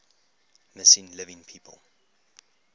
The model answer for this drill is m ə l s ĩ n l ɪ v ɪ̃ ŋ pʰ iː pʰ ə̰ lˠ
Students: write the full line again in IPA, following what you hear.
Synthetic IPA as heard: m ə s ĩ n l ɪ v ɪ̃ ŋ pʰ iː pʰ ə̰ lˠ